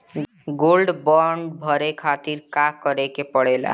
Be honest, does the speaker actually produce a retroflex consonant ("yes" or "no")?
yes